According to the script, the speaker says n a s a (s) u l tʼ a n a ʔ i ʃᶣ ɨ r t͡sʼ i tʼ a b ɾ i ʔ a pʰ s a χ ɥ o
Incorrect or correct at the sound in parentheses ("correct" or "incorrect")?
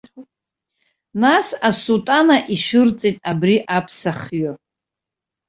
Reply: correct